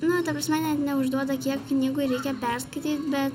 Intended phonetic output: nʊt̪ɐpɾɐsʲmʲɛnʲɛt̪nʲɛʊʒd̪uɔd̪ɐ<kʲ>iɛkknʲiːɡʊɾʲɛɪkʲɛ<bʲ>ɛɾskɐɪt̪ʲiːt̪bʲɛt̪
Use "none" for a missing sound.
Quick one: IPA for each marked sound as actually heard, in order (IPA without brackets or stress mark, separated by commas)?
kʲ, pʲ